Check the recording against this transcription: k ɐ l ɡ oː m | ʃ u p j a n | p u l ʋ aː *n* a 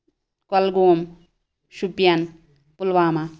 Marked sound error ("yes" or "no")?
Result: yes